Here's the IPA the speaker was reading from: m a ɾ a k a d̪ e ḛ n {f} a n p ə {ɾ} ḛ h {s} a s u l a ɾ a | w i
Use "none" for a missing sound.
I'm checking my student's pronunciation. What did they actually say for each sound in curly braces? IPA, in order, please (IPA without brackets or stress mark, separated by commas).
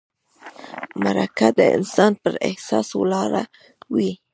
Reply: s, ɾ, s